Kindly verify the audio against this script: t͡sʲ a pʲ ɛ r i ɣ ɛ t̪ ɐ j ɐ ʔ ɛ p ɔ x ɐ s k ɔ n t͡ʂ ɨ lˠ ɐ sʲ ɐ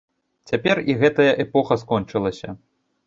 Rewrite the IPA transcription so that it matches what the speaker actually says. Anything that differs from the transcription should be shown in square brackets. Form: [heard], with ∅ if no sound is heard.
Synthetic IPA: t͡sʲ a pʲ ɛ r i ɣ ɛ t̪ ɐ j ɐ ʔ ɛ p ɔ x ɐ s k ɔ n t͡ʂ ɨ lˠ ɐ sʲ ɐ